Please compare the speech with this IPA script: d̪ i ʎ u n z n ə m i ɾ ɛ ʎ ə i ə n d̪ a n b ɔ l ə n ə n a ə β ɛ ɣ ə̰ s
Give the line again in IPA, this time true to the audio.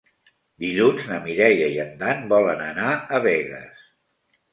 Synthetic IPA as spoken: d̪ i ʎ u n z n ə m i ɾ ɛ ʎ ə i ə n d̪ a n b ɔ l ə n ə n a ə β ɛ ɣ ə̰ s